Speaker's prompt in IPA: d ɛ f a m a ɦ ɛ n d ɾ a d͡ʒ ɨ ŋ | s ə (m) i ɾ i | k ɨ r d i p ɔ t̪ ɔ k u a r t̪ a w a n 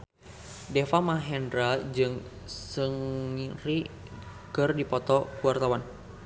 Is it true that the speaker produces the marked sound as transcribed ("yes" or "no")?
no